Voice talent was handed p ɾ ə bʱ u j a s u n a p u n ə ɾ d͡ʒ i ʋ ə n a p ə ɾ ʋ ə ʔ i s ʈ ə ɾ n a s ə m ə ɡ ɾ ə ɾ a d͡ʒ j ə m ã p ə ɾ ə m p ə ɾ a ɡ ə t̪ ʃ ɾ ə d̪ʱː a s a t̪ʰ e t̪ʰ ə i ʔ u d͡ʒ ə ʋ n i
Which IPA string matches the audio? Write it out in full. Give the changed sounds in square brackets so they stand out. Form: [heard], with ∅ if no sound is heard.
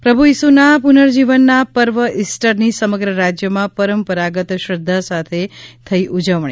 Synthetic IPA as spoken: p ɾ ə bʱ u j [i] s u n a p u n ə ɾ d͡ʒ i ʋ ə [nː] a p ə ɾ ʋ ə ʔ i s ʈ ə ɾ n [i] s ə m ə ɡ ɾ ə ɾ a d͡ʒ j ə m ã p ə ɾ ə m p ə ɾ a ɡ ə t̪ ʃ ɾ ə d̪ʱː a s a t̪ʰ e t̪ʰ ə i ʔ u d͡ʒ ə ʋ [ɳ] i